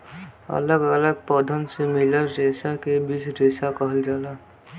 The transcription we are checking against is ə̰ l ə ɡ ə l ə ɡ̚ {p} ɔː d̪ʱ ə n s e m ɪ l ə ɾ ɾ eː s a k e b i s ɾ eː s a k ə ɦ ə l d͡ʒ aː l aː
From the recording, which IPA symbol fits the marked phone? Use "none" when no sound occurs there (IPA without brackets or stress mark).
p